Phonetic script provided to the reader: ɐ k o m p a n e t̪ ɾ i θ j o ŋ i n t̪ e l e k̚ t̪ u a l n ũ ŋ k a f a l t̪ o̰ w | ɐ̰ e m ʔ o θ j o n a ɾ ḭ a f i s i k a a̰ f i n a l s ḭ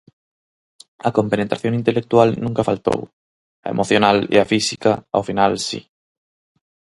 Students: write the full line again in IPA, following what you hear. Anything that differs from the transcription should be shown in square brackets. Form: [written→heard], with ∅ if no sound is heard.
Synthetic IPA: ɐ k o m p [a→e] n e t̪ ɾ [i→a] θ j o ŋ i n t̪ e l e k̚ t̪ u a l n ũ ŋ k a f a l t̪ o̰ w | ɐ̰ e m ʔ o θ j o n a [ɾ→l] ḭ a f i s i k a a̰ f i n a l s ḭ